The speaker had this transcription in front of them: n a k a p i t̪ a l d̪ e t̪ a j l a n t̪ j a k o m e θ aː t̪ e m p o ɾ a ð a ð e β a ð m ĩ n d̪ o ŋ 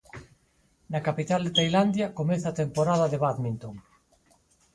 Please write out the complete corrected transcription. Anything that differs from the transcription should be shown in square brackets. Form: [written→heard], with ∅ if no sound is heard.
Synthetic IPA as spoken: n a k a p i t̪ a l d̪ e t̪ a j l a n [t̪→d̪] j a k o m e θ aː t̪ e m p o ɾ a ð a ð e β a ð m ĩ n [d̪→t̪] o ŋ